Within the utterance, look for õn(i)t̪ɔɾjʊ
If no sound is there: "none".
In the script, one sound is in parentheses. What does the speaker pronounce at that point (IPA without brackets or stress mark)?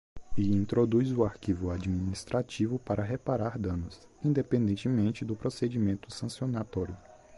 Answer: a